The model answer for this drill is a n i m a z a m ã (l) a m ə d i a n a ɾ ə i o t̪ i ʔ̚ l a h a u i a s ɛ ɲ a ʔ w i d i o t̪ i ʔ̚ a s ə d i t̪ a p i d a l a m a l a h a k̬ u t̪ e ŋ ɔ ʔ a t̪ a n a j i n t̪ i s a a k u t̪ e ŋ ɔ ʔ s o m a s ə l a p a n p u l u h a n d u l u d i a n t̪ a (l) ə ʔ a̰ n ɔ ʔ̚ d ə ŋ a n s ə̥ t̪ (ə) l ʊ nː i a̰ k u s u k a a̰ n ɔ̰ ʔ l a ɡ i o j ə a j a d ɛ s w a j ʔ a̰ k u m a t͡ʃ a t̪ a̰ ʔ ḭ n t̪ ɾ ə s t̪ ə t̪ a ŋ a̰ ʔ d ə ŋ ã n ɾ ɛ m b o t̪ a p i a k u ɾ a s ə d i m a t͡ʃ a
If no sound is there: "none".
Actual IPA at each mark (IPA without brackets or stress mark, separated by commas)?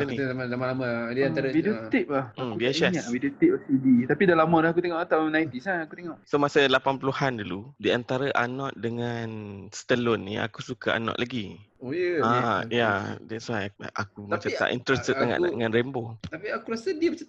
l, ɾ, ə